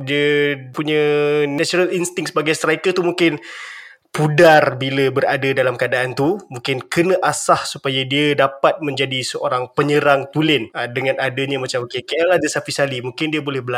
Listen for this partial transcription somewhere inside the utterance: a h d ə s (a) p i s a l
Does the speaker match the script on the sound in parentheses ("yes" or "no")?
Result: yes